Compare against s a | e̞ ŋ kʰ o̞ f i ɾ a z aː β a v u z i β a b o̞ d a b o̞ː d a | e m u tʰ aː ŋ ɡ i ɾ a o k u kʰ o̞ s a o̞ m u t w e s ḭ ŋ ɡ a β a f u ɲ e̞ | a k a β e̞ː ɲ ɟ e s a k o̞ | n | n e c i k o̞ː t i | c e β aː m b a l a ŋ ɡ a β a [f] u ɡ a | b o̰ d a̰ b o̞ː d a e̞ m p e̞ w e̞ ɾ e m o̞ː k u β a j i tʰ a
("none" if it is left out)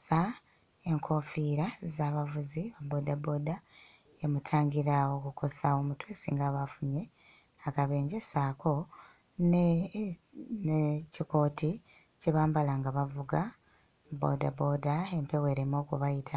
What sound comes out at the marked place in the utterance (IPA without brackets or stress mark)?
v